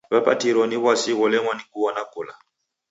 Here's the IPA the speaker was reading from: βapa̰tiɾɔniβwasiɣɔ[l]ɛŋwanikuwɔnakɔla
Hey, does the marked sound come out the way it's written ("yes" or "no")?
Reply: yes